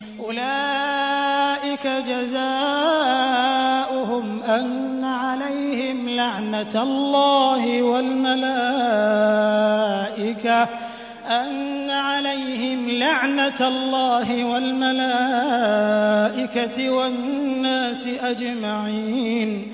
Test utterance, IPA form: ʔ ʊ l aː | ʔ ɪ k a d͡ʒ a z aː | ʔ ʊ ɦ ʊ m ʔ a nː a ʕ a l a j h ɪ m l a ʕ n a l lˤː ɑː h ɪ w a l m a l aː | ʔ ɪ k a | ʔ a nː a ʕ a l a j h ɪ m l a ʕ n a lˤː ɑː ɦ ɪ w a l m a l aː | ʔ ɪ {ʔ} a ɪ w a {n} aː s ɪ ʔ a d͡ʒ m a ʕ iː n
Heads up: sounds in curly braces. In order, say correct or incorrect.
incorrect: k, incorrect: nː

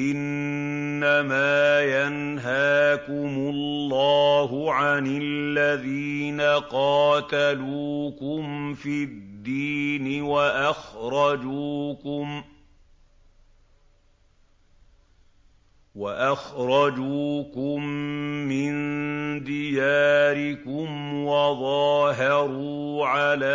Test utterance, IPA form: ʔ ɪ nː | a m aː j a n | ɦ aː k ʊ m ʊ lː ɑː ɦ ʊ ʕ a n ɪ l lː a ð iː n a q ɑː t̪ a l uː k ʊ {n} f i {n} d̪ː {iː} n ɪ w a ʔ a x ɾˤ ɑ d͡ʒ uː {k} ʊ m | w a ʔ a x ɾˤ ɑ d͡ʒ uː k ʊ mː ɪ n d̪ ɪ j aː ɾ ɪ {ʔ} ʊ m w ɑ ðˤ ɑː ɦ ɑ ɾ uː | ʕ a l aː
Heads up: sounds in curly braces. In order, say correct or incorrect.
incorrect: m, incorrect: d, correct, correct, incorrect: k

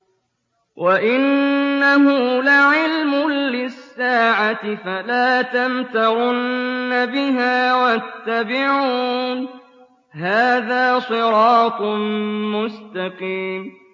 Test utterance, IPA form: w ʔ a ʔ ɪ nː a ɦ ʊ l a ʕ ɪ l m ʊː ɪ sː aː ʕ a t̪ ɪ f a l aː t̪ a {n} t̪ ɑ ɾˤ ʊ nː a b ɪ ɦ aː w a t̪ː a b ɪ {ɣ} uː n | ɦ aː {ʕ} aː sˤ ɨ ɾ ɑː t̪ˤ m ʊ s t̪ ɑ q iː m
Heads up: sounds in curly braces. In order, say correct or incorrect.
incorrect: m, incorrect: ʕ, incorrect: ð

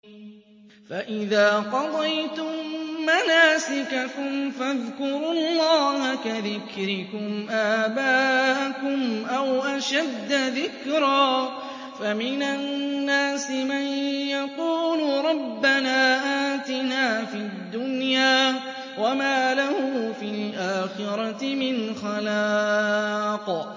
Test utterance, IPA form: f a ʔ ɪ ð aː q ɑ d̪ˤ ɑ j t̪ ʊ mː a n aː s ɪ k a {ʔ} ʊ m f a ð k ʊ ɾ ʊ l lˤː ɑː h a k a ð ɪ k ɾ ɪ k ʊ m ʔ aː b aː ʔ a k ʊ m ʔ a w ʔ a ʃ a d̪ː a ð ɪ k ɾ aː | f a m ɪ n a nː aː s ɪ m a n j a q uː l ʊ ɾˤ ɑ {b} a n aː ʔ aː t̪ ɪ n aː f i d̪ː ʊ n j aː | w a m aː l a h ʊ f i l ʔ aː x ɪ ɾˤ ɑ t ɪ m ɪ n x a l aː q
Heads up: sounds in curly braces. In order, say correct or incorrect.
incorrect: k, incorrect: bː

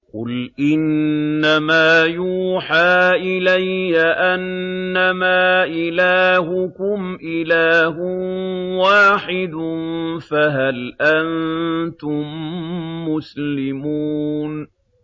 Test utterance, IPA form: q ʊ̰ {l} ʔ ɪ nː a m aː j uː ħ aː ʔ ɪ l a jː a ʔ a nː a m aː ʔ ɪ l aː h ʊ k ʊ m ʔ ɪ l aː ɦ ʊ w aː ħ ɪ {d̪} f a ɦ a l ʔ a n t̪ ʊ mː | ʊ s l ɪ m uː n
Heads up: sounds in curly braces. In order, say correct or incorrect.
correct, correct

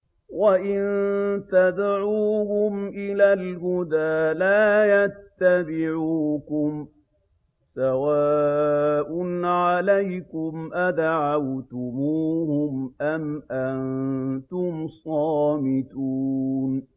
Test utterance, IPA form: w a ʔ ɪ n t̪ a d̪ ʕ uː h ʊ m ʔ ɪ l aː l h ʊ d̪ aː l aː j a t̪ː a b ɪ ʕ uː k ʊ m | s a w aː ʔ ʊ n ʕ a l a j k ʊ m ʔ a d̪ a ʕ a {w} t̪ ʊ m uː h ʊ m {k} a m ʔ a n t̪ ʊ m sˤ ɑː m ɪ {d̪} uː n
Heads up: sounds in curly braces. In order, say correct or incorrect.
correct, incorrect: ʔ, incorrect: t̪

